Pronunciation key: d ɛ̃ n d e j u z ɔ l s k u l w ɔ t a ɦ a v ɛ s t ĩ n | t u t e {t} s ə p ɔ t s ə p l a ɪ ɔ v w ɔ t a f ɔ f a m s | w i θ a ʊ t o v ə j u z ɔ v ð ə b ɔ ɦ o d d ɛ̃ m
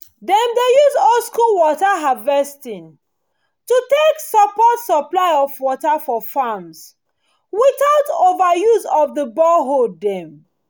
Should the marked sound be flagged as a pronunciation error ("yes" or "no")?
yes